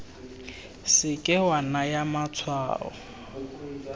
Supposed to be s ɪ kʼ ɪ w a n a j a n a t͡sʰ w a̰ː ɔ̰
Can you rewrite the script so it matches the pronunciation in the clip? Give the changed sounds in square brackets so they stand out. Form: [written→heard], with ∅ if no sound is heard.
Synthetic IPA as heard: s ɪ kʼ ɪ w a n a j a [n→m] a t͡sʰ w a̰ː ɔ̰